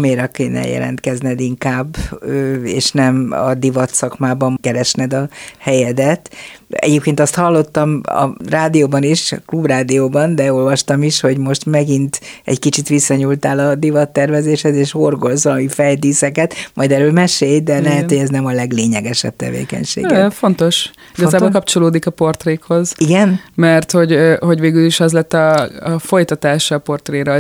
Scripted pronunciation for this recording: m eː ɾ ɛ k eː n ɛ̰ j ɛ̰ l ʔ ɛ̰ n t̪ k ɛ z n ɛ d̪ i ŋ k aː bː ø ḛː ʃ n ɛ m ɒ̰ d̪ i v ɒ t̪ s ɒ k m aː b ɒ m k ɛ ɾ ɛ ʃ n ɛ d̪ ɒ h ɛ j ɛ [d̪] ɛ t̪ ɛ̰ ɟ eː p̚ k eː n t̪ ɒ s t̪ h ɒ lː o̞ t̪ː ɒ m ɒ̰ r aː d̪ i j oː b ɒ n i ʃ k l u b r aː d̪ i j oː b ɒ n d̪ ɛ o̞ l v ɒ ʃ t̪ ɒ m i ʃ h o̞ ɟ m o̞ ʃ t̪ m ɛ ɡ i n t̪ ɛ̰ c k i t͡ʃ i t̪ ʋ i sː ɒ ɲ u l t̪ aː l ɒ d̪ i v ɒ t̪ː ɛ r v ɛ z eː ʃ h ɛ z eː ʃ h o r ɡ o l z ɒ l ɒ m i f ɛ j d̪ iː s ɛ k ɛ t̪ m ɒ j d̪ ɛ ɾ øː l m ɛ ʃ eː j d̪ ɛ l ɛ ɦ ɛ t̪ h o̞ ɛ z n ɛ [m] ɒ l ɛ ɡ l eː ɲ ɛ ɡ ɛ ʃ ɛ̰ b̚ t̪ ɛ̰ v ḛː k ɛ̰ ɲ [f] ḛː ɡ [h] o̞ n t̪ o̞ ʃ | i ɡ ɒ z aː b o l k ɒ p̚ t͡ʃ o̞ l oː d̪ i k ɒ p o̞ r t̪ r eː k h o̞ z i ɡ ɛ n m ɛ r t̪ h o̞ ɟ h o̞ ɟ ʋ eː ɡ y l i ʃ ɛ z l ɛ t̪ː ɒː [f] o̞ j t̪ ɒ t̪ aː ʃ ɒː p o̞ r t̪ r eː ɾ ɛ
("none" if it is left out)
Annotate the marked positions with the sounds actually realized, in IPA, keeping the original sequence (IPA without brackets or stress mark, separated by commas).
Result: d̪, m, ʃ, f, f